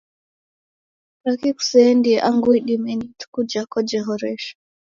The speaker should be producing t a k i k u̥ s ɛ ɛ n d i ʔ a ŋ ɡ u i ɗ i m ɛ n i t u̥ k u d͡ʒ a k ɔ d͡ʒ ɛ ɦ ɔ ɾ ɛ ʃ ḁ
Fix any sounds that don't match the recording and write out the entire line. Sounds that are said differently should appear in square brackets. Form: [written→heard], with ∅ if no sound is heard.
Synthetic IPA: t a k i k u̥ s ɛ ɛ n d i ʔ a ŋ ɡ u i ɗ i m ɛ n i t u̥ k u d͡ʒ a k ɔ d͡ʒ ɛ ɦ ɔ ɾ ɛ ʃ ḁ